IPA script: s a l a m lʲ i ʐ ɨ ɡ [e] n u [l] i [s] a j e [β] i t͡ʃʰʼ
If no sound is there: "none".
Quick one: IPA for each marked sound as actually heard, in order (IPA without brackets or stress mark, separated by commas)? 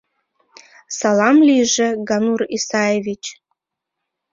a, r, s, v